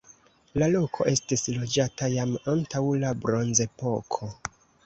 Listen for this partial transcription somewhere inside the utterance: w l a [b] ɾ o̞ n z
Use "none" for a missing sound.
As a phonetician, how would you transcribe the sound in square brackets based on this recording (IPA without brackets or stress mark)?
b